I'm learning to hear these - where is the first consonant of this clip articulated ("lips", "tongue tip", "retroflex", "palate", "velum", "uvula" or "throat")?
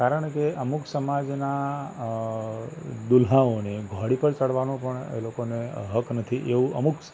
tongue tip